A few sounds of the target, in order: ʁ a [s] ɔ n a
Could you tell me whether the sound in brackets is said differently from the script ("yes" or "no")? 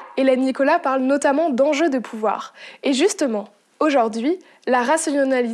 no